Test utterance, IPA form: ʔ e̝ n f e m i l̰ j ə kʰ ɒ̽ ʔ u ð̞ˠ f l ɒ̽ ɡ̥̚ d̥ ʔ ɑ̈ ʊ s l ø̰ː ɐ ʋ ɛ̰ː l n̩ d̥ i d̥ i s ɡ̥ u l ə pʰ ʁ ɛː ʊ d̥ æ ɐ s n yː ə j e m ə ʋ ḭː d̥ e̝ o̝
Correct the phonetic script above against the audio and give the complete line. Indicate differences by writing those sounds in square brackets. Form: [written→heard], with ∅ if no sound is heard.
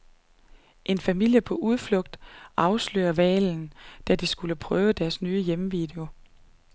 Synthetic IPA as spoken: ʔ e̝ n f [e→æ] m i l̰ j ə [kʰ→pʰ] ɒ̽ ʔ u ð̞ˠ f l [ɒ̽→ɔ̽] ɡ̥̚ d̥ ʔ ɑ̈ ʊ s l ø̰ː ɐ ʋ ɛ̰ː l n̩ d̥ [i→æ] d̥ i s ɡ̥ u l ə pʰ ʁ [ɛː→œː] ʊ d̥ æ ɐ s n yː ə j e m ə ʋ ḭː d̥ e̝ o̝